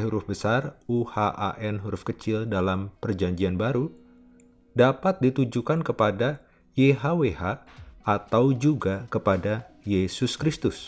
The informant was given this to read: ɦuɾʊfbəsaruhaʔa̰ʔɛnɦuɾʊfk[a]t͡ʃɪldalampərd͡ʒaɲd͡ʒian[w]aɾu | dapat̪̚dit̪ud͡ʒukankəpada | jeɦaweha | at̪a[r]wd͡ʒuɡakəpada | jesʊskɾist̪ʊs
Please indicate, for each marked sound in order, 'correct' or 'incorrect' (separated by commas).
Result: incorrect, incorrect, incorrect